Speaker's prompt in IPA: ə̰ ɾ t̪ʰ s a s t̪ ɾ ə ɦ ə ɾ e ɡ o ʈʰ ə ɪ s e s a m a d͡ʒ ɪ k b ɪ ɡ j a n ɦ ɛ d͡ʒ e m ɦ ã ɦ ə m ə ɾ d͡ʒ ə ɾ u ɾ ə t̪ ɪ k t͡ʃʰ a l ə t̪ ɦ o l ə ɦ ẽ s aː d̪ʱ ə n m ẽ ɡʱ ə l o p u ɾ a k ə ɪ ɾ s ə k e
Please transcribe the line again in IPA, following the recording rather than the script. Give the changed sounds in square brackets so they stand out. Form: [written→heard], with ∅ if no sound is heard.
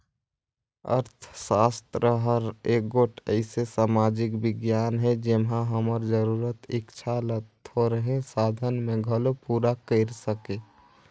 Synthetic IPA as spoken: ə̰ ɾ t̪ʰ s a s t̪ ɾ ə ɦ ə ɾ e ɡ o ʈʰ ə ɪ s e s a m a d͡ʒ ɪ k b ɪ ɡ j a n ɦ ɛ d͡ʒ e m ɦ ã ɦ ə m ə ɾ d͡ʒ ə ɾ u ɾ ə t̪ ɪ k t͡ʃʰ a l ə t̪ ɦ o [l→ɾ] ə ɦ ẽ s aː d̪ʱ ə n m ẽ ɡʱ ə l o p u ɾ a k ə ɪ ɾ s ə k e